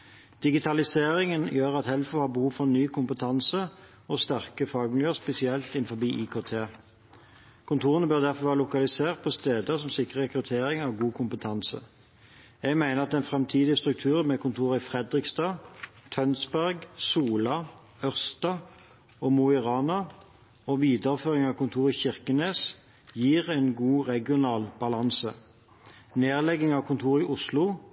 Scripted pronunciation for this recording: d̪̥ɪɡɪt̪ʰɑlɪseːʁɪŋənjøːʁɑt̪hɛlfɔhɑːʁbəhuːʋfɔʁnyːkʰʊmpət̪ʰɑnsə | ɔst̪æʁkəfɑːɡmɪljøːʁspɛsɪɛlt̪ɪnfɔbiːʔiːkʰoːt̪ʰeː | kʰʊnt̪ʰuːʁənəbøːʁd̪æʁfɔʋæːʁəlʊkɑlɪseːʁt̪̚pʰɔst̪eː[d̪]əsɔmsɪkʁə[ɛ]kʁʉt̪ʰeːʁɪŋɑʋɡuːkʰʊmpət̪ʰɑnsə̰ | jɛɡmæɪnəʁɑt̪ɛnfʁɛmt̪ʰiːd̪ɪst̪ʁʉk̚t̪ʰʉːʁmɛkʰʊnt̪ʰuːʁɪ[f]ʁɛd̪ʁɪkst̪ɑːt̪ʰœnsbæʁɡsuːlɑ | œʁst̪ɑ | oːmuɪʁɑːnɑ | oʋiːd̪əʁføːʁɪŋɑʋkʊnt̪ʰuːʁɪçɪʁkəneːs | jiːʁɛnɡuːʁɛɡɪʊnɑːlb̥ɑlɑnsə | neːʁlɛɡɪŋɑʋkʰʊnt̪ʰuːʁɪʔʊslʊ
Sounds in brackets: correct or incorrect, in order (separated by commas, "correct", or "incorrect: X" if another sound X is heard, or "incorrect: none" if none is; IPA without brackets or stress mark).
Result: correct, correct, correct